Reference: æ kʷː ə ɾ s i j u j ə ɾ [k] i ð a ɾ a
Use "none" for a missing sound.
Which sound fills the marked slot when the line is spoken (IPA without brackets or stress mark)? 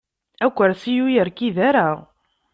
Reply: k